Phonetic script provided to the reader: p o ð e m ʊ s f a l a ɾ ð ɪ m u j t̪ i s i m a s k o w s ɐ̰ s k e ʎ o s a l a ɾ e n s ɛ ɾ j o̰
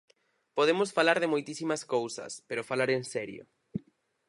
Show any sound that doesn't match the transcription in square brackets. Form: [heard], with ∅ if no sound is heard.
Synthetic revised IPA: p o ð e m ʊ s f a l a ɾ ð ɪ m [o] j t̪ i s i m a s k o w s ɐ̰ s [p] e [ɾ] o [f] a l a ɾ e n s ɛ ɾ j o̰